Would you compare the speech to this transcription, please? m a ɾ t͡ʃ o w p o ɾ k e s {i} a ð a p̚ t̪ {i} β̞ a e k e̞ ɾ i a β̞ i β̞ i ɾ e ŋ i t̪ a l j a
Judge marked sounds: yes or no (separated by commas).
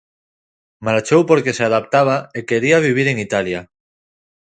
no, no